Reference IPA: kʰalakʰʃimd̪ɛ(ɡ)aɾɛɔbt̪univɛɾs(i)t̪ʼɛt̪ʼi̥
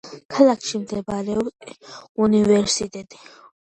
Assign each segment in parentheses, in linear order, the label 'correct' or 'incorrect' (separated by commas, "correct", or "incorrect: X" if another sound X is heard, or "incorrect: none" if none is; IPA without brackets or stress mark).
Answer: incorrect: b, correct